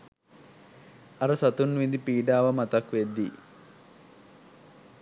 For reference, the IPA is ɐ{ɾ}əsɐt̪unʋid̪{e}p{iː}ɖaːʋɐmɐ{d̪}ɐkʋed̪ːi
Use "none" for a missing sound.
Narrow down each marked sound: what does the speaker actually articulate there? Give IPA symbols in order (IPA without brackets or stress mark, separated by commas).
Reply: ɾ, i, iː, t̪